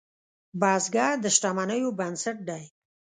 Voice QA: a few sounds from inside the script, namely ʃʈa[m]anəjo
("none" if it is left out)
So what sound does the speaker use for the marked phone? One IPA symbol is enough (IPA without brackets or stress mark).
m